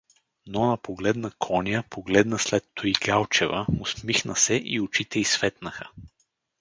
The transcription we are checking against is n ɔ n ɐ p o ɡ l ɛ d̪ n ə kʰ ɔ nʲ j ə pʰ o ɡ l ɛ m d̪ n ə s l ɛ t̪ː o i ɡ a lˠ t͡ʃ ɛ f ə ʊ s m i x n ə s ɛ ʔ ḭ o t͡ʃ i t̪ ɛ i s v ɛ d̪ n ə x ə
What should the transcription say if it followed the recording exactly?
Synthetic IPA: n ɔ n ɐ p o ɡ l ɛ d̪ n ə kʰ ɔ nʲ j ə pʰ o ɡ l ɛ d̪ n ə s l ɛ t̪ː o i ɡ a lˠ t͡ʃ ɛ v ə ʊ s m i x n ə s ɛ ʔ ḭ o t͡ʃ i t̪ ɛ i s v ɛ t̪ n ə x ə